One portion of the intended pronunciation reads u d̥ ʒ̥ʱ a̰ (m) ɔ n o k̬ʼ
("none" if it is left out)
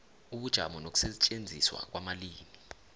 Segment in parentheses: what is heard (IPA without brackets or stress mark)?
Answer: m